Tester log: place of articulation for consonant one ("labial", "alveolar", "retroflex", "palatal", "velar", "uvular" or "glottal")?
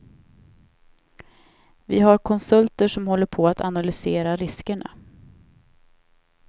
labial